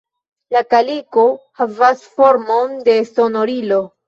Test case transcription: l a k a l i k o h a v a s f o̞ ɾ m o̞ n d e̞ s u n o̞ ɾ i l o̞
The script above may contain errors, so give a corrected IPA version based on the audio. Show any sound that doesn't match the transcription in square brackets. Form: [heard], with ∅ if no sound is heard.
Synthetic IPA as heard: l a k a l i k o h a v a s f o̞ ɾ m o̞ n d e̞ s [o] n o̞ ɾ i l o̞

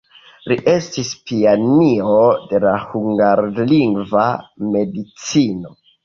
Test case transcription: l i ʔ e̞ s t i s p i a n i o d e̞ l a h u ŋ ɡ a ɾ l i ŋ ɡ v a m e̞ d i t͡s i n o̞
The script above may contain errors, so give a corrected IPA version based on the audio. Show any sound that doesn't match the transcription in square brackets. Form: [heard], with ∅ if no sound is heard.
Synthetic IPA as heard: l i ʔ e̞ s t i s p i a n i o d e̞ l a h u ŋ ɡ a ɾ l i ŋ ɡ v a m e̞ d i t͡s i n o̞

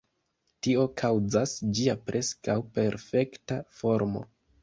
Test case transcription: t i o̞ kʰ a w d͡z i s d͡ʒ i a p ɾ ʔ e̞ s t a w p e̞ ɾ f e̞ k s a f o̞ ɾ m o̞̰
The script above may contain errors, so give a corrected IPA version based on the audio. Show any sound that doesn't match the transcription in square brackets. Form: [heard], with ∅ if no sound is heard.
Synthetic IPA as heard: t i o̞ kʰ a w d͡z [a] s d͡ʒ i a p ɾ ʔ e̞ s [k] a w p e̞ ɾ f e̞ k [t] a f o̞ ɾ m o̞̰

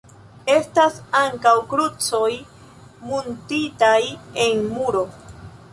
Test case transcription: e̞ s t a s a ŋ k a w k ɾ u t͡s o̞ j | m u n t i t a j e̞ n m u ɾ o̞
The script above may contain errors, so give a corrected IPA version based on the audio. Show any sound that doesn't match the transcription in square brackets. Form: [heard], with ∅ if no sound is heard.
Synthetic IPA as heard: e̞ s t a s a ŋ k a w k ɾ u t͡s o̞ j | m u n t i t a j e̞ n m u ɾ o̞

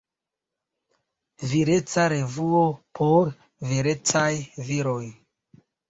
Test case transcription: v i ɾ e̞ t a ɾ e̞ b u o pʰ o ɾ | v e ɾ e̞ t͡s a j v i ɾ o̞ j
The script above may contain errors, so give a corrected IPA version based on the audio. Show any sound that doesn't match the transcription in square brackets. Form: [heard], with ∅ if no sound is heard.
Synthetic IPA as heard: v i ɾ e̞ [t͡s] a ɾ e̞ [v] u o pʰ o ɾ | v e ɾ e̞ t͡s a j v i ɾ o̞ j

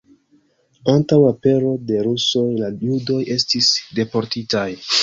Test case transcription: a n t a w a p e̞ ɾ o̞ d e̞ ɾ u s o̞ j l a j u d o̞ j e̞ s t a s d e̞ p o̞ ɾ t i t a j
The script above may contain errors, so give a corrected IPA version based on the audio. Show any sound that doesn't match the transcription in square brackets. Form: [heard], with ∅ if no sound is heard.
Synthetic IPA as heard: a n t a w a p e̞ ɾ o̞ d e̞ ɾ u s o̞ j l a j u d o̞ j e̞ s t [i] s d e̞ p o̞ ɾ t i t a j

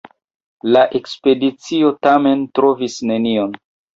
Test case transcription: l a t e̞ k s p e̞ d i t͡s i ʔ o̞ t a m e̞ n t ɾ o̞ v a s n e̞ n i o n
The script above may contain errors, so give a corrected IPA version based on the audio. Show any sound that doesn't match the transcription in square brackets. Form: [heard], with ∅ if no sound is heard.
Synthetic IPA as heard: l a [ʔ] e̞ k s p e̞ d i t͡s i [∅] o̞ t a m e̞ n t ɾ o̞ v [i] s n e̞ n i o n

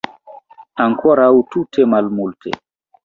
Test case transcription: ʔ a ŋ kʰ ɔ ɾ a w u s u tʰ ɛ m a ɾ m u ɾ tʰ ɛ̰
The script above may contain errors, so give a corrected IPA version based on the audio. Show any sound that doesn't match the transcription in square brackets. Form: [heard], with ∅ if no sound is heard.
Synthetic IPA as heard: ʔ a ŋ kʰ ɔ ɾ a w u [t] u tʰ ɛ m a [l] m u [l] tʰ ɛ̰

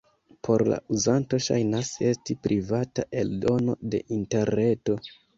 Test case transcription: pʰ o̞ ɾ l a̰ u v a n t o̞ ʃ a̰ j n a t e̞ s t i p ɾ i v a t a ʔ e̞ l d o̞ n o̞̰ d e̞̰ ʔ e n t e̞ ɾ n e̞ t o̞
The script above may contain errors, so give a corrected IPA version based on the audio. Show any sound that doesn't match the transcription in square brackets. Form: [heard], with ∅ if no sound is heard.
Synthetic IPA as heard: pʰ o̞ ɾ l a̰ u [z] a n t o̞ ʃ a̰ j n a [s] e̞ s t i p ɾ i v a t a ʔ e̞ l d o̞ n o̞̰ d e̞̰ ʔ [i] n t e̞ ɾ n e̞ t o̞

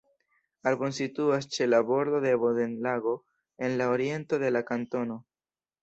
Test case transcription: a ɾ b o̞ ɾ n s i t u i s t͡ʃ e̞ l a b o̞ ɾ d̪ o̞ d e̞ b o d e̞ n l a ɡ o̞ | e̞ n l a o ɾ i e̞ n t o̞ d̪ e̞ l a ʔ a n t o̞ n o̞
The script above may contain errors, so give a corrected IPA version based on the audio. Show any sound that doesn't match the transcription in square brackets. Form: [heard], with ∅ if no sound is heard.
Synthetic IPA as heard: a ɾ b o̞ [∅] n s i t u [a] s t͡ʃ e̞ l a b o̞ ɾ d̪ o̞ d e̞ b o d e̞ n l a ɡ o̞ | e̞ n l a o ɾ i e̞ n t o̞ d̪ e̞ l a [k] a n t o̞ n o̞

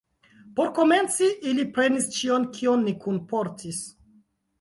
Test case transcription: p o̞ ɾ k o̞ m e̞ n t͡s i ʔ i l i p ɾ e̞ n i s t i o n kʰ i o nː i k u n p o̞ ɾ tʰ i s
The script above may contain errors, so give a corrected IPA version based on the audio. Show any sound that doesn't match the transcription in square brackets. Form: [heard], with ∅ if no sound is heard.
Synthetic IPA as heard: p o̞ ɾ k o̞ m e̞ n t͡s i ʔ i l i p ɾ e̞ n i s [t͡ʃ] i o n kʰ i o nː i k u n p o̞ ɾ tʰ i s

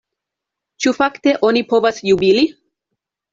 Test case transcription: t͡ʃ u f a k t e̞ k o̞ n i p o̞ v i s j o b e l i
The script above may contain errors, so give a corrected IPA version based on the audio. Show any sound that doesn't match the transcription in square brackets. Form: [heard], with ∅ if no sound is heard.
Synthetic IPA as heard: t͡ʃ u f a k t e̞ [ʔ] o̞ n i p o̞ v [a] s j [u] b [i] l i

